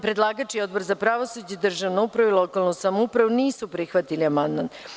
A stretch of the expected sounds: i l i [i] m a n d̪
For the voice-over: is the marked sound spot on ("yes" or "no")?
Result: no